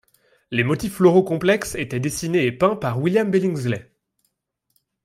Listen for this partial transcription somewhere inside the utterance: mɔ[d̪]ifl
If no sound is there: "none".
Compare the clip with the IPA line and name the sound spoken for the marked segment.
t̪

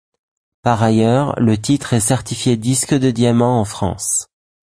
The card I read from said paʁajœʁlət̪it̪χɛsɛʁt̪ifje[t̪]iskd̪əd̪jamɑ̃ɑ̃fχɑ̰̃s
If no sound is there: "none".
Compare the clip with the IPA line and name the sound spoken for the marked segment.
d̪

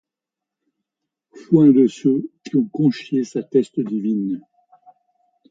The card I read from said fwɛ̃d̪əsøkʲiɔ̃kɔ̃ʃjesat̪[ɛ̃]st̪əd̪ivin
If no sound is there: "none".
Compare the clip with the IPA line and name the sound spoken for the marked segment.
ɛ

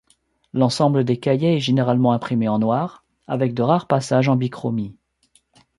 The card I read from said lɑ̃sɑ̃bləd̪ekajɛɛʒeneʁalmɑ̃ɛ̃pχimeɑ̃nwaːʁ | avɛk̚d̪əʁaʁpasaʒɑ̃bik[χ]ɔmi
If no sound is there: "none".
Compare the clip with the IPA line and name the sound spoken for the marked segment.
χ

